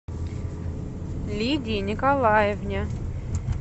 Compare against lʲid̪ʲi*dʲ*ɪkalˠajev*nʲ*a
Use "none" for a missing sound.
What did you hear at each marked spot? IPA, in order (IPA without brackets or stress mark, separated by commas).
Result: nʲ, nʲ